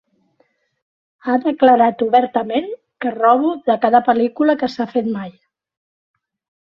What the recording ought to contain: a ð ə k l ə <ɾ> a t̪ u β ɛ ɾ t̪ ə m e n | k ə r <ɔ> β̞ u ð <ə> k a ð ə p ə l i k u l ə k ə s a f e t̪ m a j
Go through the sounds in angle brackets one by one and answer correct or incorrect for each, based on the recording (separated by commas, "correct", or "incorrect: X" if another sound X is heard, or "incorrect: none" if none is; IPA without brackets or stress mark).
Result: correct, correct, correct